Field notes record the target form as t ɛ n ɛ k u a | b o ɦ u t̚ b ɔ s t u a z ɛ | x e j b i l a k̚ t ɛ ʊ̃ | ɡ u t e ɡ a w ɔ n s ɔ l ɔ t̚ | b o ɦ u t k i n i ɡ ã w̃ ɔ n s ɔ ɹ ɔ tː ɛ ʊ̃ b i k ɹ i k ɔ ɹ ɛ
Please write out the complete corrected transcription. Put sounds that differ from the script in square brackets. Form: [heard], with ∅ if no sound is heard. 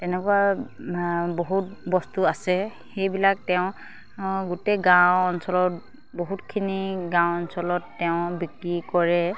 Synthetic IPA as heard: t ɛ n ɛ k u a | b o ɦ u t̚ b ɔ s t u a [s] ɛ | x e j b i l a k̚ t ɛ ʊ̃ | ɡ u t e ɡ a w ɔ n s ɔ l ɔ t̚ | b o ɦ u t [kʰ] i n i ɡ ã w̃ ɔ n s ɔ [l] ɔ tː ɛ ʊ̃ b i k ɹ i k ɔ ɹ ɛ